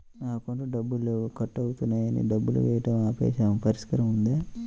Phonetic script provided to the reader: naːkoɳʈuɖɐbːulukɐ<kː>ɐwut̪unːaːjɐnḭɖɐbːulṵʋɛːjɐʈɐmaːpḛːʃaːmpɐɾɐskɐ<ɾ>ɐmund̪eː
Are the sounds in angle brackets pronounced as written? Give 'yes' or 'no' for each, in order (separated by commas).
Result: no, yes